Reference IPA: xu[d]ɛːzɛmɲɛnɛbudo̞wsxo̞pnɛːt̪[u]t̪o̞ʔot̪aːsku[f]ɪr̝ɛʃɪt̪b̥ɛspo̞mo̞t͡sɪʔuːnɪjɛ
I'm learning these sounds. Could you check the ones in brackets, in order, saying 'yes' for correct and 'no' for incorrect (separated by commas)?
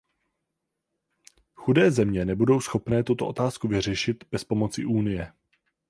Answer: yes, yes, no